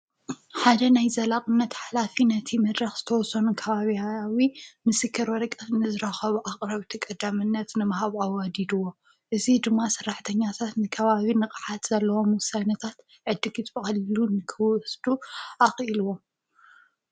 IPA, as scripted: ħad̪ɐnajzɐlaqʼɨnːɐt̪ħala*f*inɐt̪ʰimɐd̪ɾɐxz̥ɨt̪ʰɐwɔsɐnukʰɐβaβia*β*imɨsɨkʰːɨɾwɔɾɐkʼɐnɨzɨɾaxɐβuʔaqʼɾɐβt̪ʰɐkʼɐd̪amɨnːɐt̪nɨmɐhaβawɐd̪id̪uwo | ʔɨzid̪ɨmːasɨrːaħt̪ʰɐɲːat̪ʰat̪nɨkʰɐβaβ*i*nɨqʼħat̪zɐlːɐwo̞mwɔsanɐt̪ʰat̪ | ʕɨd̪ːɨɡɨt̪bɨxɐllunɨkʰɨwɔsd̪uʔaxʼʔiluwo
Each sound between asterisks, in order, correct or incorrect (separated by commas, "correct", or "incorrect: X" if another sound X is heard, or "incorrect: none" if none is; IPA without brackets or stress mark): correct, incorrect: w, correct